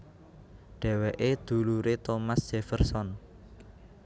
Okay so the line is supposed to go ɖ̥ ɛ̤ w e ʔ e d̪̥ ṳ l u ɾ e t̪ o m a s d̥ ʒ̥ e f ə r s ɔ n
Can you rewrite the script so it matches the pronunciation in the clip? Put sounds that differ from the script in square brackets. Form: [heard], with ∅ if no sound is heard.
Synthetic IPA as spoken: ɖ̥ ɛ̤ w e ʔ e d̪̥ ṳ l u ɾ e t̪ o m a s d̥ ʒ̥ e f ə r s ɔ n